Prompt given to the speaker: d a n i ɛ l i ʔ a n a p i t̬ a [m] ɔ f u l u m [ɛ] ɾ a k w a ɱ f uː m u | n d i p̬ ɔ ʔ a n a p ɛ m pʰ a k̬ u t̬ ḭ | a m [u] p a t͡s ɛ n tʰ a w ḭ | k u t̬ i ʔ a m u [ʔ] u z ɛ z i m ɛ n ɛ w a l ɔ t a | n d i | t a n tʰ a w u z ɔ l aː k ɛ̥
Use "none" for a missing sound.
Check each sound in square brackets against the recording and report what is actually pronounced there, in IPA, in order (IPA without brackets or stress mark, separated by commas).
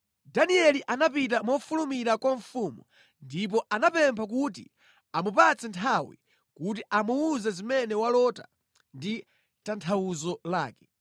m, i, u, none